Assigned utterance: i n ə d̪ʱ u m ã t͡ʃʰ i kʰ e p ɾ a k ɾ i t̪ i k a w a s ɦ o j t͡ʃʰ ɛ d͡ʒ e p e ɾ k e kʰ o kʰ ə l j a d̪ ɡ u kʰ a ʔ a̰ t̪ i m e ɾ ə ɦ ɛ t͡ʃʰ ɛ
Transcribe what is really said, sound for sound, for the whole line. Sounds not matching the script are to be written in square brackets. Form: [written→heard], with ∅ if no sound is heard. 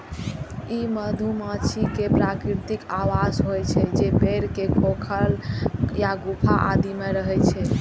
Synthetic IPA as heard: i [n→m] ə d̪ʱ u m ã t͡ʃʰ i [kʰ→k] e p ɾ a k ɾ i t̪ i k a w a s ɦ o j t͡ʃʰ ɛ d͡ʒ e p e ɾ k e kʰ o kʰ ə l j a [d̪→∅] ɡ u [kʰ→pʰ] a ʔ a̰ [t̪→d̪] i m e ɾ ə ɦ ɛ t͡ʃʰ ɛ